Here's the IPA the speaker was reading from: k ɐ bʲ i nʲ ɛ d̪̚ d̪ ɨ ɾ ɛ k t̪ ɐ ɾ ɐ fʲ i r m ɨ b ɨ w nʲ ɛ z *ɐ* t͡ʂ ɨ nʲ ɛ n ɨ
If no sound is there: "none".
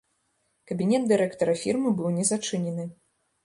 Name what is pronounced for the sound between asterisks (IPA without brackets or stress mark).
a